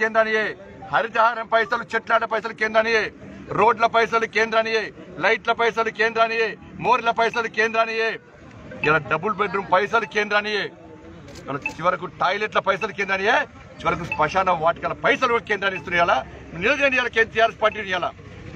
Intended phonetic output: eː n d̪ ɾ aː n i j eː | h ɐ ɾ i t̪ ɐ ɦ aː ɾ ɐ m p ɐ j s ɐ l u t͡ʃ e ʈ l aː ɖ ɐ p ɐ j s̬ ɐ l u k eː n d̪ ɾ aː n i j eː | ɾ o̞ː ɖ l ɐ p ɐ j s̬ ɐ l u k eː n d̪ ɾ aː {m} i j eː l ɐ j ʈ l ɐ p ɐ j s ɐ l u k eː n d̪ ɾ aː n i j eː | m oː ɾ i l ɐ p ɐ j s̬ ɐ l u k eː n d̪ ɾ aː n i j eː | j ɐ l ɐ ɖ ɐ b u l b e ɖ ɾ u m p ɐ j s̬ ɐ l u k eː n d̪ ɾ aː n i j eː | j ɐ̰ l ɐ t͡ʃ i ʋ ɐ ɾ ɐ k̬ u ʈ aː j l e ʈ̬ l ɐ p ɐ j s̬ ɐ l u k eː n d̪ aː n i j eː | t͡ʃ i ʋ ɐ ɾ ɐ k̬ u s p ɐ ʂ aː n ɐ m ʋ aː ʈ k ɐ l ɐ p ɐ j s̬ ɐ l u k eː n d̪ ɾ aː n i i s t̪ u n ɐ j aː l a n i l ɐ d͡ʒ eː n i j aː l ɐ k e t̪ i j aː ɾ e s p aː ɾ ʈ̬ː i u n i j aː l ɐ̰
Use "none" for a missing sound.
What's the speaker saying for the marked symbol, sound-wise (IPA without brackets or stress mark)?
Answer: n